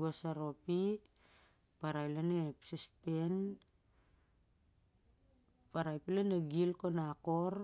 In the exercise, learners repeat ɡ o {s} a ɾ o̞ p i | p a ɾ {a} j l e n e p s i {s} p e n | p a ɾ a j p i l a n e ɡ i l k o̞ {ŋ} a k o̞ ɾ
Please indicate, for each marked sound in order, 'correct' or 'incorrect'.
correct, correct, correct, incorrect: n

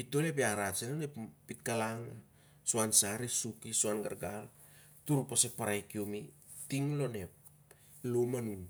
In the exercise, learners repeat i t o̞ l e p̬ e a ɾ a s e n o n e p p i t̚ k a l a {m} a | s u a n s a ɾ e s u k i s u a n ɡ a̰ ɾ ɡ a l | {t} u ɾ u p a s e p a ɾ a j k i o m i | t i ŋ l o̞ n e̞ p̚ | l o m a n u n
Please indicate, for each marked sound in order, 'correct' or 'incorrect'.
incorrect: ŋ, correct

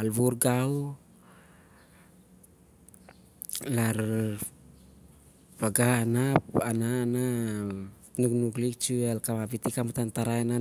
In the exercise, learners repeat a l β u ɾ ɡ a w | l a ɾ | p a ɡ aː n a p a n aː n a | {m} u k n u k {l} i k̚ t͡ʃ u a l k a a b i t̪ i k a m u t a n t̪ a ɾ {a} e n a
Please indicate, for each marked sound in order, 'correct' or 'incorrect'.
incorrect: n, correct, correct

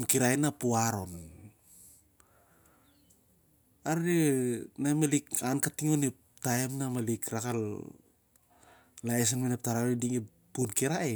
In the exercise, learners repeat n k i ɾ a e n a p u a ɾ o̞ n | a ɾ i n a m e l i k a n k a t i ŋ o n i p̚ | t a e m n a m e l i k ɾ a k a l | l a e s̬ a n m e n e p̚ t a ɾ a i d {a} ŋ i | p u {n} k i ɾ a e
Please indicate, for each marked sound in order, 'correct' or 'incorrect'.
incorrect: i, correct

